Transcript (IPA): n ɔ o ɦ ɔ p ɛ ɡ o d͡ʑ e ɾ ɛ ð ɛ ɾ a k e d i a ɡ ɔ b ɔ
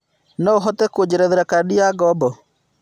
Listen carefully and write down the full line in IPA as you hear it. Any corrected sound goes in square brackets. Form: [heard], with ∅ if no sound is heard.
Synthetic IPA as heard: n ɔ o ɦ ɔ [t] ɛ [k] o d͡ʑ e ɾ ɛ ð [e] ɾ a k [a] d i a ɡ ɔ b ɔ